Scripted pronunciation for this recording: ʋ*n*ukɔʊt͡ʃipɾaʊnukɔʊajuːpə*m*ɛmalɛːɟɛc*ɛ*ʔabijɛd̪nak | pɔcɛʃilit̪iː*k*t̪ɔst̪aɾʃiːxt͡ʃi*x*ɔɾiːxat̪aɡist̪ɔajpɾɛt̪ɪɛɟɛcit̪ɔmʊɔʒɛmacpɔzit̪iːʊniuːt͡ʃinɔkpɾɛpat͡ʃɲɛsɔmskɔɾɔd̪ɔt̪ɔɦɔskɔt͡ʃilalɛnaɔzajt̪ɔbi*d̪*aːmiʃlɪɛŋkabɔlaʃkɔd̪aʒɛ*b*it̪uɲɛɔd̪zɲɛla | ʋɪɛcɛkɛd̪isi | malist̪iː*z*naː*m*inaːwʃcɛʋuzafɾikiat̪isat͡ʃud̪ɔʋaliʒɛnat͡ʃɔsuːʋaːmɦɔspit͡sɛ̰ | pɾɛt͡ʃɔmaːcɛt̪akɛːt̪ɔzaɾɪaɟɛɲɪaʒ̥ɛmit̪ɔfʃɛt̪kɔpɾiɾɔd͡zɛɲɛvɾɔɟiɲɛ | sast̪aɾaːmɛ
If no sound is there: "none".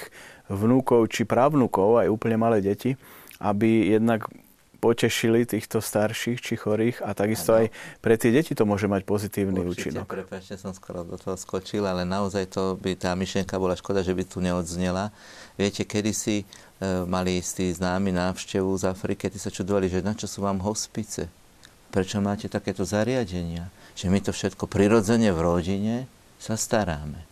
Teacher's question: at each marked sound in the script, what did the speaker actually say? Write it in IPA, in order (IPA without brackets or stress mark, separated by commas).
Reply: n, ɲ, i, x, x, t̪, b, z, m